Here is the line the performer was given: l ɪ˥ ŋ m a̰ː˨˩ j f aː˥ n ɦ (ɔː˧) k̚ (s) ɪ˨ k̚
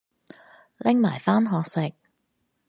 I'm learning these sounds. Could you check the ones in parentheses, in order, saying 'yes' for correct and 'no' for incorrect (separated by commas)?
yes, yes